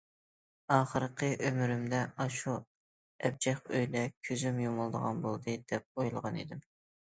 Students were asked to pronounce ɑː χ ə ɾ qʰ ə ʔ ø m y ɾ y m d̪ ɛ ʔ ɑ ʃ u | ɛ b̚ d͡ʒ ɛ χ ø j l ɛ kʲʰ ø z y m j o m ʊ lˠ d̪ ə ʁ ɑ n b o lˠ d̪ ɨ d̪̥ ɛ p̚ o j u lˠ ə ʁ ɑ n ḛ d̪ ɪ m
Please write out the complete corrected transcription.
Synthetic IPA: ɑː χ ə ɾ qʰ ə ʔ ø m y ɾ y m d̪ ɛ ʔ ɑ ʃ u | ɛ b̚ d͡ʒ ɛ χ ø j l ɛ kʲʰ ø z y m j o m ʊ lˠ d̪ ə ʁ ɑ n b o lˠ d̪ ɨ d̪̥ ɛ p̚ o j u lˠ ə ʁ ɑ n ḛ d̪ ɪ m